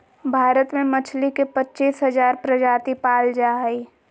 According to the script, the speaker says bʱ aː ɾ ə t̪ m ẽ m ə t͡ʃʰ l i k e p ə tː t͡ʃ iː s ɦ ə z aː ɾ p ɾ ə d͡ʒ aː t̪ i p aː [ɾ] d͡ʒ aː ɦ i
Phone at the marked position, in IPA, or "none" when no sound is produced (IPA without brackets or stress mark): l